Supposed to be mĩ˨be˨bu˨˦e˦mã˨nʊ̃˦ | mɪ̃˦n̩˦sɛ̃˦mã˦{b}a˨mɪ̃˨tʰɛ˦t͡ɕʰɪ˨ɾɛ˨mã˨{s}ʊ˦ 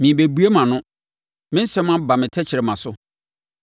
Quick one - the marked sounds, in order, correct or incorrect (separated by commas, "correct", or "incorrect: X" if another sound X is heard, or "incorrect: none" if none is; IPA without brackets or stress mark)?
correct, correct